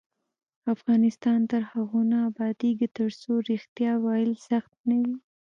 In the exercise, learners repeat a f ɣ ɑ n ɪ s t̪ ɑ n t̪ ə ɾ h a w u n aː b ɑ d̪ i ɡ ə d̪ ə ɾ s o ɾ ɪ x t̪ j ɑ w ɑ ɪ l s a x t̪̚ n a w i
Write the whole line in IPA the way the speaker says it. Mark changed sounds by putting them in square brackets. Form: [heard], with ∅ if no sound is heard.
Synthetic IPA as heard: a f ɣ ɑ n ɪ s t̪ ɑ n t̪ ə ɾ h a [ɣ] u n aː b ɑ d̪ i ɡ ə [t̪] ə ɾ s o ɾ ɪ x t̪ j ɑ w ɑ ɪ l s a x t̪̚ n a w i